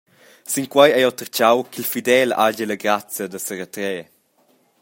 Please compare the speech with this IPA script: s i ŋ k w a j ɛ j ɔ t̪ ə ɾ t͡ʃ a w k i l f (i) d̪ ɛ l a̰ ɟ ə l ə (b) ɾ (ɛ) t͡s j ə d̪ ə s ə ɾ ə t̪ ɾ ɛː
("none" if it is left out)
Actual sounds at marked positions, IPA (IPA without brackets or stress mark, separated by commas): i, ɡ, a